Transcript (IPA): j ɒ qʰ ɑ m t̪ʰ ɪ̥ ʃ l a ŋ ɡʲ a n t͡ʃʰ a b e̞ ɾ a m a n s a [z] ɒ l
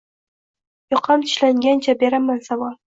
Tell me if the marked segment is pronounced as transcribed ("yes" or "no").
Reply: no